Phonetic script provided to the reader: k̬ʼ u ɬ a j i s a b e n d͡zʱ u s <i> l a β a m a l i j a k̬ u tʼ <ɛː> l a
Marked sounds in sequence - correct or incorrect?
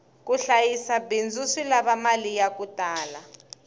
correct, incorrect: aː

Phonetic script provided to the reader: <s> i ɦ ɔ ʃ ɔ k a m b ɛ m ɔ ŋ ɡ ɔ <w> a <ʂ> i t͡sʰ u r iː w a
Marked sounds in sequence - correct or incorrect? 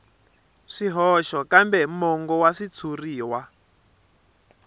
incorrect: ʂ, correct, correct

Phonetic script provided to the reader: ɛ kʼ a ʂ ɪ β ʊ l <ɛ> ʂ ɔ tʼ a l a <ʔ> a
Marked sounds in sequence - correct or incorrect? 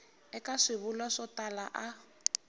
incorrect: a, correct

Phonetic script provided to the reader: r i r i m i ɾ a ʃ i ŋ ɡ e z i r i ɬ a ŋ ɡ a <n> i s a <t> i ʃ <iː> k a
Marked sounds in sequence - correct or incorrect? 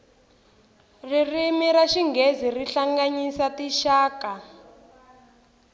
incorrect: ɲ, correct, incorrect: aː

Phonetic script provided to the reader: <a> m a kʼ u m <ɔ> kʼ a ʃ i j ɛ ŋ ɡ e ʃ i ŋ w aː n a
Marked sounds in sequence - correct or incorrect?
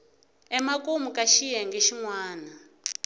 incorrect: ɛ, incorrect: u

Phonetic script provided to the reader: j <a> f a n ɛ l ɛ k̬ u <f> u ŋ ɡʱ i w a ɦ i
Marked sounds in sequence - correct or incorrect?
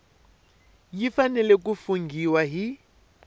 incorrect: i, correct

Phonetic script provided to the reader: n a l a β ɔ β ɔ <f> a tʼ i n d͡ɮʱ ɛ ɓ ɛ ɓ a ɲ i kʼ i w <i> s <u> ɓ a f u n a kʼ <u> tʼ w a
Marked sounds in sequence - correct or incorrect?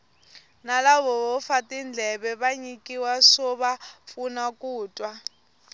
correct, incorrect: a, incorrect: ɔ, incorrect: uː

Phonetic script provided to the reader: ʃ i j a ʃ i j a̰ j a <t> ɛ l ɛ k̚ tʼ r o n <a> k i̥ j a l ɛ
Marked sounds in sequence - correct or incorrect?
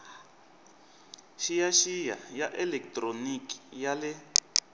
incorrect: ʔ, incorrect: i

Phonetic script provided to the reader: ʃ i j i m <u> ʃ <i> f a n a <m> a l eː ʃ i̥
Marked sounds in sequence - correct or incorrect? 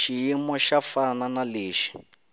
incorrect: ɔ, incorrect: a, incorrect: n

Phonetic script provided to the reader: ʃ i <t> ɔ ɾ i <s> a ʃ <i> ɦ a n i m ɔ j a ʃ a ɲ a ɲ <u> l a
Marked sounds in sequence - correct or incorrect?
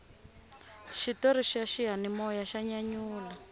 correct, incorrect: ʃ, correct, incorrect: uː

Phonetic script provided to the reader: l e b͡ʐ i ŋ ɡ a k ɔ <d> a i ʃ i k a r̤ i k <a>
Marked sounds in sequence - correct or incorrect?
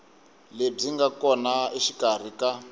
incorrect: n, correct

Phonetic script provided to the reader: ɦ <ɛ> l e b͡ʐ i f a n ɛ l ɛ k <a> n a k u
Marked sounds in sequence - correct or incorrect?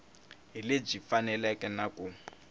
incorrect: i, incorrect: ɛ

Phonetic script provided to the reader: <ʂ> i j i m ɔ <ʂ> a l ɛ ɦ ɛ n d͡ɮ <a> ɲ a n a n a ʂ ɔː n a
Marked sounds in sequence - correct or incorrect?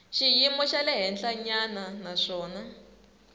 incorrect: ʃ, incorrect: ʃ, correct

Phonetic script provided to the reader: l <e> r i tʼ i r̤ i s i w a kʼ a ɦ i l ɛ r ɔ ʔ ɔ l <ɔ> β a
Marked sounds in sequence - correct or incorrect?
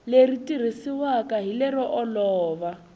correct, incorrect: ɔː

